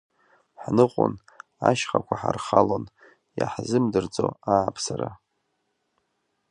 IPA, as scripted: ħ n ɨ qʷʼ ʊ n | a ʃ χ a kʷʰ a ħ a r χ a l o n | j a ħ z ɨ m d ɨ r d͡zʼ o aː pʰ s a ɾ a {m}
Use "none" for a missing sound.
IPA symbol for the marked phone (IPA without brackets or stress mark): none